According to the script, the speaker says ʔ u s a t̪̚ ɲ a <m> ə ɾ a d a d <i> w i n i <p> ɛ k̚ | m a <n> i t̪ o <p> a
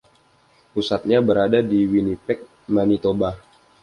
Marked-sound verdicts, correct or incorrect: incorrect: b, correct, correct, correct, incorrect: b

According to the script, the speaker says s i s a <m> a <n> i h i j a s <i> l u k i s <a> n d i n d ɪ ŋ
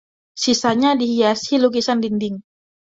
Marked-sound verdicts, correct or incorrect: incorrect: ɲ, incorrect: d, correct, correct

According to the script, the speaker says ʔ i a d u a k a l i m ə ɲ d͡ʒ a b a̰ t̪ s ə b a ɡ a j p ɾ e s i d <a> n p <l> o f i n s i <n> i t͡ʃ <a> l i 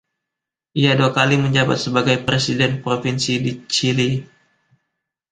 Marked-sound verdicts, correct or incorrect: incorrect: ɛ, incorrect: ɾ, incorrect: d, incorrect: i

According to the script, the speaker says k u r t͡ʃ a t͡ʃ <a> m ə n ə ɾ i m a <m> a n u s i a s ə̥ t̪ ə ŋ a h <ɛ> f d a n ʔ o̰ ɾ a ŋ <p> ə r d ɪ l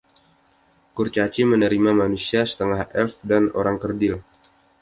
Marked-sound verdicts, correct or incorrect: incorrect: i, correct, correct, incorrect: k

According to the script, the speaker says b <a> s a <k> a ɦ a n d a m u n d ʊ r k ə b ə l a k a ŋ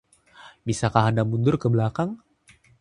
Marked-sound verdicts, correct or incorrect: incorrect: i, correct

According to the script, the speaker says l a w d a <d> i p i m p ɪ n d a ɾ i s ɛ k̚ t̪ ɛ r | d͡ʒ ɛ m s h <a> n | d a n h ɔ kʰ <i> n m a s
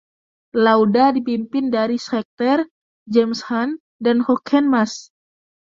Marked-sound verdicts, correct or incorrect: correct, correct, incorrect: ɛ

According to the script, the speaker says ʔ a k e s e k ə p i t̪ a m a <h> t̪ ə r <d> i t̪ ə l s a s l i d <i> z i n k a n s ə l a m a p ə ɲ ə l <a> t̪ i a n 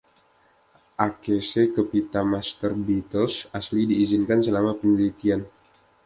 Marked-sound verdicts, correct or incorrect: incorrect: s, incorrect: b, incorrect: iː, incorrect: i

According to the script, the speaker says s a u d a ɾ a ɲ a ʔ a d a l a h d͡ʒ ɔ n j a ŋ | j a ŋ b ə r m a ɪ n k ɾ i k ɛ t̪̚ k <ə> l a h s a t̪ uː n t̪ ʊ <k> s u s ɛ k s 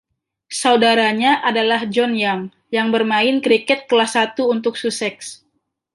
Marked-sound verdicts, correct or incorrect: correct, correct

